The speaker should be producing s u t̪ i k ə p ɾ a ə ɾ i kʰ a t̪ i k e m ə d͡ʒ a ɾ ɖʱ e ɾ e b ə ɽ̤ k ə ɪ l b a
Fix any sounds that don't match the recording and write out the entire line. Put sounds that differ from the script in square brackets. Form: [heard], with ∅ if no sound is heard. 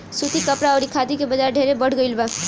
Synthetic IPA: s u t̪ i k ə p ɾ a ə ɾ i kʰ a [d̪] i k e [b] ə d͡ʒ a ɾ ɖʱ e ɾ e b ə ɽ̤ [ɡ] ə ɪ l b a